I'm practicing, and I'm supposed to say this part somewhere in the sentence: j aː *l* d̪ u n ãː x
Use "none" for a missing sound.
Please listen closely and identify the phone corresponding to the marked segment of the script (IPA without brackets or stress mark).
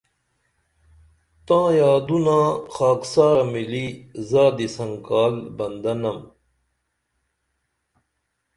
none